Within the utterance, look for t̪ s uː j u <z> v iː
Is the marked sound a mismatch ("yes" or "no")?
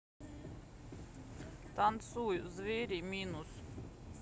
no